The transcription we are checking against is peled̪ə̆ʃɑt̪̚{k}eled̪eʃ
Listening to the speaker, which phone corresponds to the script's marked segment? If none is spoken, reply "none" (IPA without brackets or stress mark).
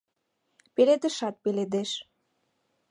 p